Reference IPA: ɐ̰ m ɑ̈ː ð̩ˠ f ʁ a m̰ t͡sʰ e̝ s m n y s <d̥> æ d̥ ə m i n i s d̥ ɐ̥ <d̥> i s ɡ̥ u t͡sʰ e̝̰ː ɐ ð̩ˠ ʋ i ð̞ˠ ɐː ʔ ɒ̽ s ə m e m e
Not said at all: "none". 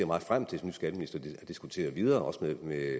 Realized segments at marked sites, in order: ɡ̥, d̥

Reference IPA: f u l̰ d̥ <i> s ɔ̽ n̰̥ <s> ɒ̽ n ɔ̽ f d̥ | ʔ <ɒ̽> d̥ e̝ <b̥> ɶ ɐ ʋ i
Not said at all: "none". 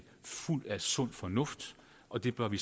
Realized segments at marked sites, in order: æ, f, ɒ̽, b̥

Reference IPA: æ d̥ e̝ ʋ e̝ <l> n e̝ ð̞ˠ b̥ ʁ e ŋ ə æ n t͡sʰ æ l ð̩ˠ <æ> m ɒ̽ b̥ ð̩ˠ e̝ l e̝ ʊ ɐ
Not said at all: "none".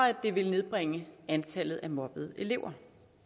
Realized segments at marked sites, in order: l, æ

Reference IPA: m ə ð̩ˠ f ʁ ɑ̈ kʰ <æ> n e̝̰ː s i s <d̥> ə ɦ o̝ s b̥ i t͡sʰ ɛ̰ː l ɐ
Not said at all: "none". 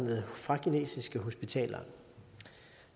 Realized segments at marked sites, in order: i, ɡ̥

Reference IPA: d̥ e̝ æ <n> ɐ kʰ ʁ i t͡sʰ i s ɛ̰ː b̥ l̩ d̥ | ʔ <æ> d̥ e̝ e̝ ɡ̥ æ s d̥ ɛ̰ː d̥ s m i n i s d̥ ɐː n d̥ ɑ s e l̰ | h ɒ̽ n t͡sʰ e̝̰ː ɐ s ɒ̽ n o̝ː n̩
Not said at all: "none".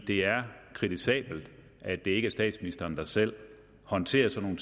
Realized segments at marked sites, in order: none, æ

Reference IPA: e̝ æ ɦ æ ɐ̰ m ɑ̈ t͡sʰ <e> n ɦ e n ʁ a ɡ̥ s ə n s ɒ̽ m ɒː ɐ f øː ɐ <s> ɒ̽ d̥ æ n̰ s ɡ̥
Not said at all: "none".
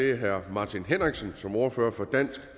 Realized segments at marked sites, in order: i, f

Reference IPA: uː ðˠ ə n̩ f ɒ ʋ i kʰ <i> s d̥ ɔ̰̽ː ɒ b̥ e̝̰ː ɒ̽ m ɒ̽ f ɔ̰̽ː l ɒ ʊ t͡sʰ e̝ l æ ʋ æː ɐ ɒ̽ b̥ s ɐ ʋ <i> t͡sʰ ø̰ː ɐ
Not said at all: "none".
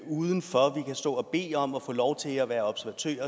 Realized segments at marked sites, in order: æ, æ

